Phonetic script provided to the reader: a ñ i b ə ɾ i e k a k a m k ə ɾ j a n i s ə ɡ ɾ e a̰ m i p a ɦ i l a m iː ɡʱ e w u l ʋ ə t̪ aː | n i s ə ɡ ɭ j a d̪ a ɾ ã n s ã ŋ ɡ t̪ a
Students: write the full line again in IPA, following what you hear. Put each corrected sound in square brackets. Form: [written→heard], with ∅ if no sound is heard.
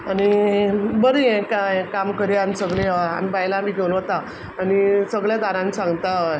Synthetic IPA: a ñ i b ə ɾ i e k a k a m k ə ɾ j a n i s ə ɡ [ɾ→ɭ] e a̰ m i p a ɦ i l a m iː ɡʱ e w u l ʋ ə t̪ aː | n i s ə ɡ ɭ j a d̪ a ɾ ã n s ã ŋ ɡ t̪ a

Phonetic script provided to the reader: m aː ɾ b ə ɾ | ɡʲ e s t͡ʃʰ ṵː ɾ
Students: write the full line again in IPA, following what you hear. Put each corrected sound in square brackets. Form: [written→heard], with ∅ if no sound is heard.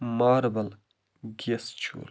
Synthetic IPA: m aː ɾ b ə [ɾ→l] | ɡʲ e s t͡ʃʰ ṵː [ɾ→l]

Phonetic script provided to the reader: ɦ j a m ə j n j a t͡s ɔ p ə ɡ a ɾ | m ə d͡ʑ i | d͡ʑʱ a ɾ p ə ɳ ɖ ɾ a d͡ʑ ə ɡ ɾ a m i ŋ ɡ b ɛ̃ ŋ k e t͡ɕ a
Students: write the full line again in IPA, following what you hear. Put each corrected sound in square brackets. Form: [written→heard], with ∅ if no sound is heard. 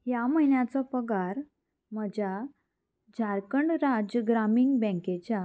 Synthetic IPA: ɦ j a m ə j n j a t͡s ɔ p ə ɡ a ɾ | m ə d͡ʑ [i→a] | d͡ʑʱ a ɾ [p→k] ə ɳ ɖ ɾ a d͡ʑ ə ɡ ɾ a m i ŋ ɡ b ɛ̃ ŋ k e t͡ɕ a

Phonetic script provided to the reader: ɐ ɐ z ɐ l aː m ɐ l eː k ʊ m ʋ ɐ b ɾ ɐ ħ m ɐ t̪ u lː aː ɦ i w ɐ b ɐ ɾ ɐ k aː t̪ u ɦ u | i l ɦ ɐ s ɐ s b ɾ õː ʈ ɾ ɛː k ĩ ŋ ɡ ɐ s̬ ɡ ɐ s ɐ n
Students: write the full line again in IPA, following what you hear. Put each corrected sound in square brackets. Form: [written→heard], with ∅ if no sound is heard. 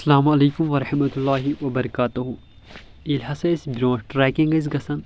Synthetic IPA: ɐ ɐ [z→s] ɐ l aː m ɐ l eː k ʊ m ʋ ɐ [b→∅] ɾ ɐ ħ m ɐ t̪ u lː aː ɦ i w ɐ b ɐ ɾ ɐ k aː t̪ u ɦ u | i l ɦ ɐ s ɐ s b ɾ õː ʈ ɾ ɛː k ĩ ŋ ɡ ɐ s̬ ɡ ɐ s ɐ n

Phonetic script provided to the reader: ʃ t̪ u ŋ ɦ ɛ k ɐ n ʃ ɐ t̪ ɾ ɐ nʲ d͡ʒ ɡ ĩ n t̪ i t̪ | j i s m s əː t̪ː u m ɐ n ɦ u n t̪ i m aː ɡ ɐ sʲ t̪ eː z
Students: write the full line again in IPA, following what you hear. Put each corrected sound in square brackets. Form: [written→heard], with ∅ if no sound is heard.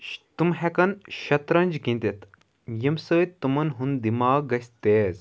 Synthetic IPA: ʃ t̪ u [ŋ→m] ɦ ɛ k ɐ n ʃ ɐ t̪ ɾ ɐ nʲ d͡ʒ ɡ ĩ n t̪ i t̪ | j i [s→∅] m s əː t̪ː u m ɐ n ɦ u n [t̪→d̪] i m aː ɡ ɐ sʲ t̪ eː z

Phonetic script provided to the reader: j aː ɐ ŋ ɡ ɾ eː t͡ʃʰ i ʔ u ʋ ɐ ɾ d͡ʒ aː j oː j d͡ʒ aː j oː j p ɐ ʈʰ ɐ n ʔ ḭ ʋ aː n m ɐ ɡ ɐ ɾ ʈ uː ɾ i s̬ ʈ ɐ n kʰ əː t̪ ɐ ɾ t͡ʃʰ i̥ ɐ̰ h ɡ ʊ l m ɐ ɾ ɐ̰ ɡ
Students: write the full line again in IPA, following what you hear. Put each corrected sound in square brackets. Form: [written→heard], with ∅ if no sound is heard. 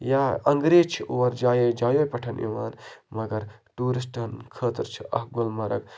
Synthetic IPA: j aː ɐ ŋ ɡ ɾ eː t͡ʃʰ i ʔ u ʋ ɐ ɾ d͡ʒ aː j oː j d͡ʒ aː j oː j p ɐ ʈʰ ɐ n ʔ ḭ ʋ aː n m ɐ ɡ ɐ ɾ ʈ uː ɾ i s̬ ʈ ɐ n kʰ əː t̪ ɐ ɾ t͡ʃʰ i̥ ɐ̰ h ɡ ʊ l m ɐ ɾ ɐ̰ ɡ

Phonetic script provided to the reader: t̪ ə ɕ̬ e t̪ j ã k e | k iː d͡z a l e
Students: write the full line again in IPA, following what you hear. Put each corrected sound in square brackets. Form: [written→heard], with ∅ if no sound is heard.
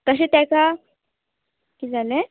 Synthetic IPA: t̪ ə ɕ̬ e t̪ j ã k [e→a] | k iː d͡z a l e

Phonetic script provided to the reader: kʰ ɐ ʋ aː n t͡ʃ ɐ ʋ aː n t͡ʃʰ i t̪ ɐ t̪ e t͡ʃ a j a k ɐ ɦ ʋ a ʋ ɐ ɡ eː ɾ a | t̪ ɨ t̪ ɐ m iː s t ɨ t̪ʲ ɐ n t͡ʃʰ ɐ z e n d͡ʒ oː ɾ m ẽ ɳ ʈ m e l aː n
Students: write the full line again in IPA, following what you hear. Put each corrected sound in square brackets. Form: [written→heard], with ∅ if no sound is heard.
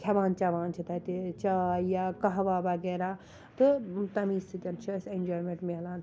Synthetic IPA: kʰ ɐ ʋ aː n t͡ʃ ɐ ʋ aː n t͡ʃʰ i t̪ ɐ t̪ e t͡ʃ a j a k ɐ ɦ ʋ a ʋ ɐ ɡ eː ɾ a | t̪ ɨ t̪ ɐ m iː s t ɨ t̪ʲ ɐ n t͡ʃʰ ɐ [z→s] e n d͡ʒ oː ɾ m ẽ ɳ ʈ m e l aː n

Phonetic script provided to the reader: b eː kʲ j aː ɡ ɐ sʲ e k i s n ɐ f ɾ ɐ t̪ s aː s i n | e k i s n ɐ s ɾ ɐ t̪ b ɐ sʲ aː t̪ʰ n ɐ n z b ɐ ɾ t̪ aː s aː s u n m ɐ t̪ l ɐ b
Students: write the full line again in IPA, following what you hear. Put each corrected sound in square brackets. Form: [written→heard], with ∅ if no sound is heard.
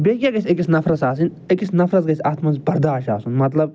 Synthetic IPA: b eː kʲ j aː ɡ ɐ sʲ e k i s n ɐ f ɾ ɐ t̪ s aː s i n | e k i s n ɐ [s→f] ɾ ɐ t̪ [b→ɡ] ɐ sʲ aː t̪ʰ [n→m] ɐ n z b ɐ ɾ [t̪→d̪] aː [s→ʃ] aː s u n m ɐ t̪ l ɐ b

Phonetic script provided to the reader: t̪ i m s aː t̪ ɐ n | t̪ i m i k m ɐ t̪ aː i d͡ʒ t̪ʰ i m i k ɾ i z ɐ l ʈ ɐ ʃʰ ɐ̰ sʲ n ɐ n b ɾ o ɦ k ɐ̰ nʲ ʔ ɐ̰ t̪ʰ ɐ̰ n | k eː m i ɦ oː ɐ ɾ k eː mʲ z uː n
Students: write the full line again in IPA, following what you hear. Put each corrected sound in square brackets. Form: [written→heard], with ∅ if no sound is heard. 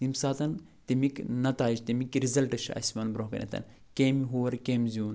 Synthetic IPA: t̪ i m s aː t̪ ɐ n | t̪ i m i k [m→n] ɐ t̪ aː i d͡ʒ [t̪ʰ→t̪] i m i k ɾ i z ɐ l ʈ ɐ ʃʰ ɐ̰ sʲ [n→m] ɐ n b ɾ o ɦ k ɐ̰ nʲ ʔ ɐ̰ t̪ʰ ɐ̰ n | k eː m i ɦ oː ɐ ɾ k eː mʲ z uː n

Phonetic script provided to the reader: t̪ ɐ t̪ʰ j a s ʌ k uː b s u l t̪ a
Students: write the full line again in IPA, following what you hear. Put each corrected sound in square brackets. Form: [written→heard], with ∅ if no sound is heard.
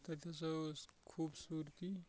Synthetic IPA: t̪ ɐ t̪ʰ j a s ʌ [k→kʰ] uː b s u [l→ɾ] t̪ [a→i]

